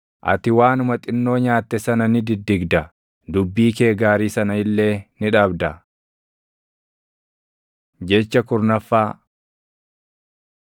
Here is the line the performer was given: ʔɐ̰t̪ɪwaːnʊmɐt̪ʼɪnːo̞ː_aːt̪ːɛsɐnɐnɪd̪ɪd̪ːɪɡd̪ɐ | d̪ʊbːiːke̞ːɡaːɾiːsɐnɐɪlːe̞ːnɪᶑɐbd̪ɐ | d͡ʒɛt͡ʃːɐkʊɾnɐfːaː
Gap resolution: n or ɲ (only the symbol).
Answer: ɲ